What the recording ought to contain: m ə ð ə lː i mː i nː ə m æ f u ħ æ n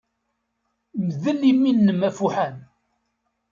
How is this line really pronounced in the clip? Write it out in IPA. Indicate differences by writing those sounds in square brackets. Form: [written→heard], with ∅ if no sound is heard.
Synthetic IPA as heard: m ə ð ə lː i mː i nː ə m æ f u ħ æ n